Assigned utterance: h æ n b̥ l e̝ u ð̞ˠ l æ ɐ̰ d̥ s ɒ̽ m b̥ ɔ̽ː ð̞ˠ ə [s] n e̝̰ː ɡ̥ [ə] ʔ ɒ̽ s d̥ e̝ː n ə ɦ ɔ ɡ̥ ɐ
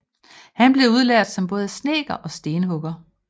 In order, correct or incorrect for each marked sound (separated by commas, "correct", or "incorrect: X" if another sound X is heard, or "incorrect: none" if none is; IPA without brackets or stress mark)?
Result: correct, incorrect: ɐ